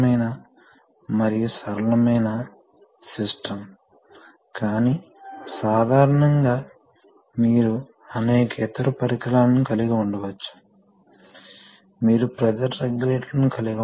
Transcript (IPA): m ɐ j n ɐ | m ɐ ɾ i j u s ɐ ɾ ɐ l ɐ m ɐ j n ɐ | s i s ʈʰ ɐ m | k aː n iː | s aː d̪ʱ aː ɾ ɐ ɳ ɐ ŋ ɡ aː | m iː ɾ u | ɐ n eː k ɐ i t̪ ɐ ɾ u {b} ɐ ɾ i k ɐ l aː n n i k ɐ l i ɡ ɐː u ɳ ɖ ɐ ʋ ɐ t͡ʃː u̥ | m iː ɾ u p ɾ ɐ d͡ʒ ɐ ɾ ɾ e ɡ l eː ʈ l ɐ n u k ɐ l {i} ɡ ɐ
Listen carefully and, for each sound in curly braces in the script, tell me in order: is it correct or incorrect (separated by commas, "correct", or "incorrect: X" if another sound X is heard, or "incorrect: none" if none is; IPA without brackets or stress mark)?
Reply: incorrect: p, correct